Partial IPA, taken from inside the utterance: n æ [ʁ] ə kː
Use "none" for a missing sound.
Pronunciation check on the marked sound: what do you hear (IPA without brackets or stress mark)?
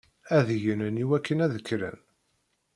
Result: ð